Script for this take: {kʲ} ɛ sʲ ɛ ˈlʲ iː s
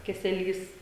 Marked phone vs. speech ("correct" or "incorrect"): correct